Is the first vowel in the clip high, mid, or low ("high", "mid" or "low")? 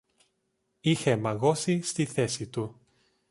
high